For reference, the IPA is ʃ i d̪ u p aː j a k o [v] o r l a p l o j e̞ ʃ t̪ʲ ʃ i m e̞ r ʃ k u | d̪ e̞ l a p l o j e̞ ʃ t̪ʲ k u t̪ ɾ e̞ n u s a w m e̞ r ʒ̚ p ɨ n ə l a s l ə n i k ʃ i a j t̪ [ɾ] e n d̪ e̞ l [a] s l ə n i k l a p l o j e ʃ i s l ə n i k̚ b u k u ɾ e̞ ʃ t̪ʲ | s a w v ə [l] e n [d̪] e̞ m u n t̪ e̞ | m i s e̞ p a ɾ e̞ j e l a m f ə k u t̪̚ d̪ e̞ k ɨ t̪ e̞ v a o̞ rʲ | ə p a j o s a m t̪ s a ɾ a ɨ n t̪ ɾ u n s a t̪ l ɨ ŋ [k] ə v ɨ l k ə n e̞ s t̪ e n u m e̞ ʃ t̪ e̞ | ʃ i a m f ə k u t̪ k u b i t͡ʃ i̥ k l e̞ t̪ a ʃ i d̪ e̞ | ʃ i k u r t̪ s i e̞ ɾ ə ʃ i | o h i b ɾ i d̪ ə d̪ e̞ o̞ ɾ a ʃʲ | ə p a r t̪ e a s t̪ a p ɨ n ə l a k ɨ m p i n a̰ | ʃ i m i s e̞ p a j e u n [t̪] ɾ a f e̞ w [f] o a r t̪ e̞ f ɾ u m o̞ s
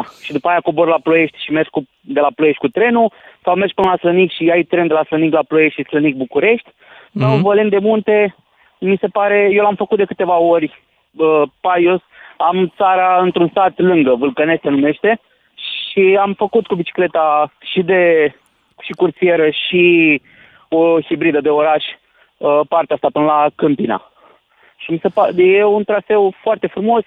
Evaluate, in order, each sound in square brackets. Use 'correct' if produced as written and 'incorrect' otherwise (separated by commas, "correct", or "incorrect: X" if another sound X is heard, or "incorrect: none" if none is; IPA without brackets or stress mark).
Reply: incorrect: b, correct, correct, correct, correct, incorrect: ɡ, correct, correct